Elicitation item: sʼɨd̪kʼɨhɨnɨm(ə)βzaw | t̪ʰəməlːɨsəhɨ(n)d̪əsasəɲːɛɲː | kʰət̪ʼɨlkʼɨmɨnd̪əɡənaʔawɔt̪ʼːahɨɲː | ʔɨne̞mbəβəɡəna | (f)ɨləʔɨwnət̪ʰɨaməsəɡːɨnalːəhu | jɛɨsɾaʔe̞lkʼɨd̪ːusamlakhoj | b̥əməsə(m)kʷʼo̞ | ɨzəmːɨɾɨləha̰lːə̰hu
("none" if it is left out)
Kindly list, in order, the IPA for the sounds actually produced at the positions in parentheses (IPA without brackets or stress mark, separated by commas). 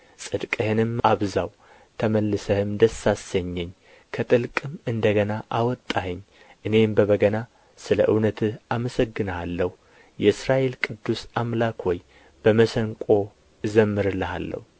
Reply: a, m, s, ŋ